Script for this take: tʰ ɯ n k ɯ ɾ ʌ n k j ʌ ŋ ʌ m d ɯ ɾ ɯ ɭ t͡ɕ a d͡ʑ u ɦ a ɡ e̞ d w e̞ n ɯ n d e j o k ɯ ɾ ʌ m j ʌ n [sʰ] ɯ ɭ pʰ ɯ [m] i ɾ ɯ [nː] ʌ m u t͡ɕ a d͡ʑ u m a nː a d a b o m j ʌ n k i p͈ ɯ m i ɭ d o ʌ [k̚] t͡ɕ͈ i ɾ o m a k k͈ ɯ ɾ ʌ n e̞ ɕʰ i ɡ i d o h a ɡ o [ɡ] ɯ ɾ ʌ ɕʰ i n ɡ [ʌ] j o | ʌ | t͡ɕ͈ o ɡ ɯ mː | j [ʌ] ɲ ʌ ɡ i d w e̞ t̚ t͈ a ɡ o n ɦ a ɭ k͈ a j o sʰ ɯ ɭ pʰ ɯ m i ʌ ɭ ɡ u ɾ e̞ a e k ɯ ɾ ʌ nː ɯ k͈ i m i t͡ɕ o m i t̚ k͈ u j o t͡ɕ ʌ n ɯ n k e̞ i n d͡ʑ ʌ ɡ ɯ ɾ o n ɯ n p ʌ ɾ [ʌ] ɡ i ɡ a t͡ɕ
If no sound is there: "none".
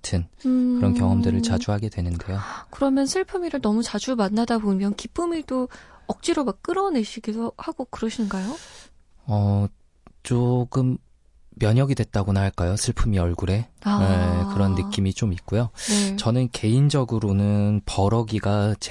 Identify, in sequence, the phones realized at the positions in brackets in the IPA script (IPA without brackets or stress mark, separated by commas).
sʰ, m, n, k̚, k, a, ʌ, ʌ